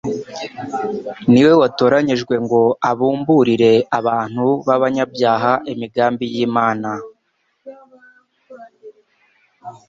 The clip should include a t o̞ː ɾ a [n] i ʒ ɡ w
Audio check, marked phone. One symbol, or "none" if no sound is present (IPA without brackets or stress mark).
ɲ